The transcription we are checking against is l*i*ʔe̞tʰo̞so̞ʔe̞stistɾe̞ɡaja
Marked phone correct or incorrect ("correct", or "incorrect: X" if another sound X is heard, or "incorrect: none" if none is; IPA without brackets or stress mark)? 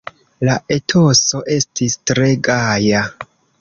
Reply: incorrect: a